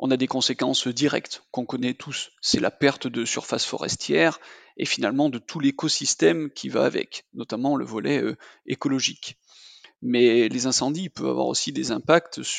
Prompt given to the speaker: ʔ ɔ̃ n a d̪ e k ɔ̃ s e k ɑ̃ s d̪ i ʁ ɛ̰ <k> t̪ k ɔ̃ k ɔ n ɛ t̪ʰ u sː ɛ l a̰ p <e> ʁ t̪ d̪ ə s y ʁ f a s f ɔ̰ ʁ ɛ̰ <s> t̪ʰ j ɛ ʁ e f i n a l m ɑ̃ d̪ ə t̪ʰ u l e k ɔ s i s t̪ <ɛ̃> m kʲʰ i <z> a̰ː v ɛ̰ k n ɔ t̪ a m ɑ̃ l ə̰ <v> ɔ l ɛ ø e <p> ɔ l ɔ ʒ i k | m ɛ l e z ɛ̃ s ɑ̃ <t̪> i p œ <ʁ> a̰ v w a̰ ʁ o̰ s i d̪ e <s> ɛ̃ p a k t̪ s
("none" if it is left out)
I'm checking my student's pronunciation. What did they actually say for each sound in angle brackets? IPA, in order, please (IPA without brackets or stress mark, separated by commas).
k, ɛ, s, ɛ, v, v, k, d̪, v, z